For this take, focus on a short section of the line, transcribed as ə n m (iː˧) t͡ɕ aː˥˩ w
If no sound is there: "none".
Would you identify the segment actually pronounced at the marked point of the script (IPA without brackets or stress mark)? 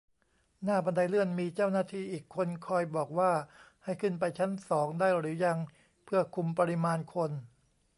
iː˧